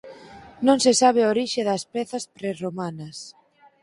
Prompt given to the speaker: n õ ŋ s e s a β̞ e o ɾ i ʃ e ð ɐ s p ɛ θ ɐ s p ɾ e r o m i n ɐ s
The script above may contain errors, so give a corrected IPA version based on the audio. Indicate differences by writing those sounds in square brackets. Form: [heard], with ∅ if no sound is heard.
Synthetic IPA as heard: n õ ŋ s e s a β̞ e o ɾ i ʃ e ð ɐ s p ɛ θ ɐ s p ɾ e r o m [a] n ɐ s